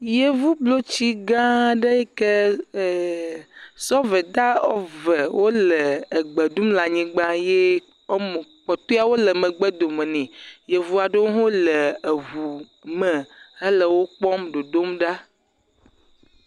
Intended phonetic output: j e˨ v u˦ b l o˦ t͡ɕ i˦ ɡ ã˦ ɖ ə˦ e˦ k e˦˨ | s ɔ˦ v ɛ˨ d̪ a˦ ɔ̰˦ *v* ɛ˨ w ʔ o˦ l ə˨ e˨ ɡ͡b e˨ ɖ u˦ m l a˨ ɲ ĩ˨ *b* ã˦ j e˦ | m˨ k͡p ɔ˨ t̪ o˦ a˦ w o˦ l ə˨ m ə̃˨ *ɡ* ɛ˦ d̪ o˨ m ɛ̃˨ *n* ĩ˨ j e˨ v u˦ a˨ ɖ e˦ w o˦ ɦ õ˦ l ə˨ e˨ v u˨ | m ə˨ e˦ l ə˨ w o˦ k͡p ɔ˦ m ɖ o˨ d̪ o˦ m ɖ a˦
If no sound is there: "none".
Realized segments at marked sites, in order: v, ɡ͡b, ɡ͡b, n

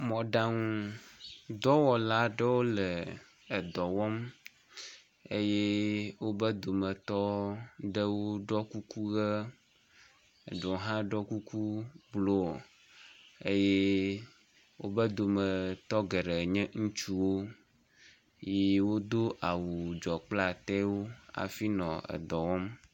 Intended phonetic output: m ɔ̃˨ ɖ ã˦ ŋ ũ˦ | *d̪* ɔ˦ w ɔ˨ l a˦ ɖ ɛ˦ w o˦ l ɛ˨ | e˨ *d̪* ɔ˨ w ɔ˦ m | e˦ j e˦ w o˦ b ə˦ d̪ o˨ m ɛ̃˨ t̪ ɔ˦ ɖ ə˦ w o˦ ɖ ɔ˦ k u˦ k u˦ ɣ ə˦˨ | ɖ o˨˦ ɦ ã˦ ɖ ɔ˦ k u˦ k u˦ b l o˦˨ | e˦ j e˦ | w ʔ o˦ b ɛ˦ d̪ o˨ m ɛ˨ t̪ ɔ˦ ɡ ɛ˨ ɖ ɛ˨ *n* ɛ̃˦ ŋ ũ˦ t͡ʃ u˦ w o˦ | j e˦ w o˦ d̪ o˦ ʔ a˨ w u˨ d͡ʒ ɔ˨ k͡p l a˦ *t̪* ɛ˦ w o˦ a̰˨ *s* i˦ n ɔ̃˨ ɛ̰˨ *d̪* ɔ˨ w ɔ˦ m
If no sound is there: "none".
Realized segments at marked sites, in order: d̪, d̪, ɲ, t̪, f, d̪

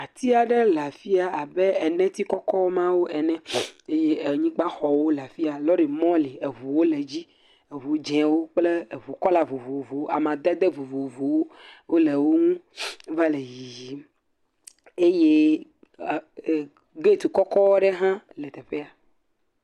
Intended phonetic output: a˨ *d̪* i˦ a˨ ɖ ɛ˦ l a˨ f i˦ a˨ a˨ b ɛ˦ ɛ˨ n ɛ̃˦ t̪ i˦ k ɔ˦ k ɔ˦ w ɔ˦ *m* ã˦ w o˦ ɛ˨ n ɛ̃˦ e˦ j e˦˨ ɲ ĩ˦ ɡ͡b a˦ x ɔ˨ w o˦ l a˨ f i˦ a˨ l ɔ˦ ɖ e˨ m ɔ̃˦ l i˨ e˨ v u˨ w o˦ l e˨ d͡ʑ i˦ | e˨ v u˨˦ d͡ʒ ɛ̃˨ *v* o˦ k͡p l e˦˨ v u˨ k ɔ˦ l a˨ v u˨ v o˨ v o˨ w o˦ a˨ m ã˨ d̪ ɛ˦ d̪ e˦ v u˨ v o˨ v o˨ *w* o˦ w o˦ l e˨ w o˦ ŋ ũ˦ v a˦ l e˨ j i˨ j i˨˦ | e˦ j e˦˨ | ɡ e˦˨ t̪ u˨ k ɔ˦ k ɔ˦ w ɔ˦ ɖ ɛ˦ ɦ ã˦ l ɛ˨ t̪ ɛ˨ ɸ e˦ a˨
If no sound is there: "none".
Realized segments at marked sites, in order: t̪, m, w, w

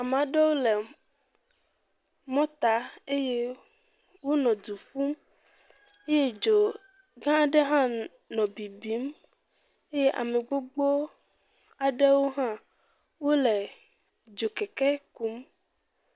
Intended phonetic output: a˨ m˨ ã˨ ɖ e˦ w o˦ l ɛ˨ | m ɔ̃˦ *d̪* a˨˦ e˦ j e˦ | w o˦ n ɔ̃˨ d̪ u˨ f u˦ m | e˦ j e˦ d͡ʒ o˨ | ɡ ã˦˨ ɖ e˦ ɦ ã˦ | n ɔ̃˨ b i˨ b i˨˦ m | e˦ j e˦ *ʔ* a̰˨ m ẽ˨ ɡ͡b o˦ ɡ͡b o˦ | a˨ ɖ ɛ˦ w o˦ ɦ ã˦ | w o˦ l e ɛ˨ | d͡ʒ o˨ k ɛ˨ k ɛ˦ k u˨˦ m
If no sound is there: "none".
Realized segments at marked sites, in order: t̪, ʔ

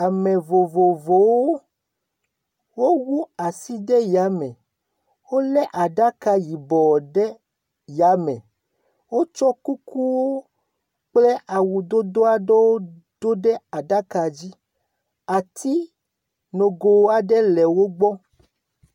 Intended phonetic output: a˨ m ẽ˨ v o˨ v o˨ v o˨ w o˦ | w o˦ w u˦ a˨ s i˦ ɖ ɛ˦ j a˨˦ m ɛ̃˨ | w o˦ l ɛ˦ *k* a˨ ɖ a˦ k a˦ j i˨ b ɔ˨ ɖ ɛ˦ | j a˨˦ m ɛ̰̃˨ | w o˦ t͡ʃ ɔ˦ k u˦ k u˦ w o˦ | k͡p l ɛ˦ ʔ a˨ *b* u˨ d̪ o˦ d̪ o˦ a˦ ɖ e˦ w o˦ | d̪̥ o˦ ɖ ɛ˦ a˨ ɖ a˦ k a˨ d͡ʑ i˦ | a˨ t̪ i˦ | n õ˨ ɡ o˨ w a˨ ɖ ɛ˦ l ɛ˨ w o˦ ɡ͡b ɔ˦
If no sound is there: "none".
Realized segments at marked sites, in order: ʔ, w

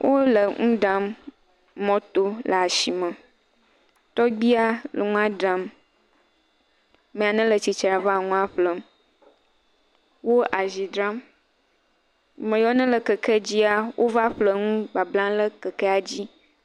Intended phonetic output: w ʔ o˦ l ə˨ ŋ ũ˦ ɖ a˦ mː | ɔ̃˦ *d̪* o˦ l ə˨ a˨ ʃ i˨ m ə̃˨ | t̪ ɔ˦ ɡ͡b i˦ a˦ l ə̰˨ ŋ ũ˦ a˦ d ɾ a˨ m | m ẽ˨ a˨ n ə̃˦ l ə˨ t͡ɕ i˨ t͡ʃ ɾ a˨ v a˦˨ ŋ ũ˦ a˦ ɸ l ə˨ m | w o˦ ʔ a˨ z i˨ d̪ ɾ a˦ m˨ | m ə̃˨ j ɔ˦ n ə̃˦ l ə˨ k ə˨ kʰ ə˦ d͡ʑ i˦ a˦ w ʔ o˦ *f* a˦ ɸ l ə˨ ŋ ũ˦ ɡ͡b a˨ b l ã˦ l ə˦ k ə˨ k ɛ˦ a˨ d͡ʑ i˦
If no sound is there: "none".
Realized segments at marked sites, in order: t̪, v

